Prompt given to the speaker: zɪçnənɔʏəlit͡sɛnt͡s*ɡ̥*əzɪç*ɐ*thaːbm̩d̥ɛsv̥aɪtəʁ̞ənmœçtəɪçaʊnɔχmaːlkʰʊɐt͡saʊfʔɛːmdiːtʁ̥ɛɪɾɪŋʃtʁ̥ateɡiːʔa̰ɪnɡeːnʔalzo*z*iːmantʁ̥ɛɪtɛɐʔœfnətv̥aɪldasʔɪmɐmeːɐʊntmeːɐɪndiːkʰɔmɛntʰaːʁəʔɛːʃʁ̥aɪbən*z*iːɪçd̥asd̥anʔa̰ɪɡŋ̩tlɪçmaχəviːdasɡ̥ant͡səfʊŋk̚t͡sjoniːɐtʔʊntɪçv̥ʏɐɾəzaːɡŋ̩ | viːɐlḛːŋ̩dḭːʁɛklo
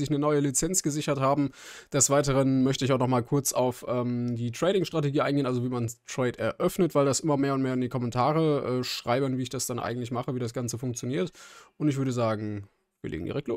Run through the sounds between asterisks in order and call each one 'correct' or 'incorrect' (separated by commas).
correct, correct, incorrect, incorrect